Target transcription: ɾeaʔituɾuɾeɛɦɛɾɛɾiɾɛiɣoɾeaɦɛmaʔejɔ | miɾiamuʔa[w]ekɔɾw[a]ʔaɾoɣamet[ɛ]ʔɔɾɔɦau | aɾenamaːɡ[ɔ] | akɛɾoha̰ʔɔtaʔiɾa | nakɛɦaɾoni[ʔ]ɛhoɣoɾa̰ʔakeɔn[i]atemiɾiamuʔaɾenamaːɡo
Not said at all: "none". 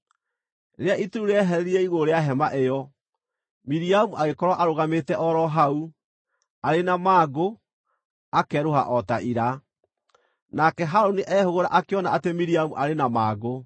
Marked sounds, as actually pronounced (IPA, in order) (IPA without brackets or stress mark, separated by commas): ɣ, a, ɛ, o, ʔ, a